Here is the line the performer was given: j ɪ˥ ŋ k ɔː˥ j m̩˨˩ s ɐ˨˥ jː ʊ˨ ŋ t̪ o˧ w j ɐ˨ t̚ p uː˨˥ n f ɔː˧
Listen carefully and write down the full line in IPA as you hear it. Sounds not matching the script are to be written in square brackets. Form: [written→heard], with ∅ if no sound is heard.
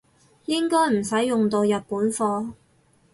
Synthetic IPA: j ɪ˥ ŋ k ɔː˥ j m̩˨˩ s ɐ˨˥ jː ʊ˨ ŋ t̪ o˧ w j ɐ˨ t̚ p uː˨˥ n f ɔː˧